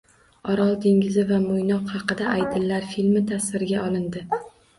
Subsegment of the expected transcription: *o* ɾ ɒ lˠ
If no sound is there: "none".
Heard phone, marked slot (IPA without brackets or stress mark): ɒ